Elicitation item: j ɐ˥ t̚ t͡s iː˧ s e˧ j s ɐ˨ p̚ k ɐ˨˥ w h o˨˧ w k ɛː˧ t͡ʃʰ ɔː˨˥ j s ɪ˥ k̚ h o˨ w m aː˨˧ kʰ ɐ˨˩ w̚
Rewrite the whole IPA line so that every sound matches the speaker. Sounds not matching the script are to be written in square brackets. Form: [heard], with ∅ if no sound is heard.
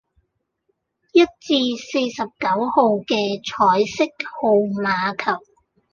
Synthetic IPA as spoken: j ɐ˥ t̚ t͡s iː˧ s e˧ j s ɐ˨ p̚ k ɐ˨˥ w h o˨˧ w k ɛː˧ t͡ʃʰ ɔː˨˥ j s ɪ˥ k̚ h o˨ w m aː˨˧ kʰ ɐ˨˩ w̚